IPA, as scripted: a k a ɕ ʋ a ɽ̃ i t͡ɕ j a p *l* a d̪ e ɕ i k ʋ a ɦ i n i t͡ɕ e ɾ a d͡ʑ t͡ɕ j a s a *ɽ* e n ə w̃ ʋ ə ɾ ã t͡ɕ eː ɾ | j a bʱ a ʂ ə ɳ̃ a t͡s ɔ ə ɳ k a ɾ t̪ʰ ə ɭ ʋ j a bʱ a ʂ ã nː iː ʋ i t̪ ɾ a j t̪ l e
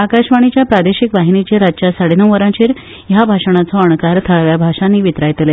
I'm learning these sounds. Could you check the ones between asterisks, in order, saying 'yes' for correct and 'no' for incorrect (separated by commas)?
no, yes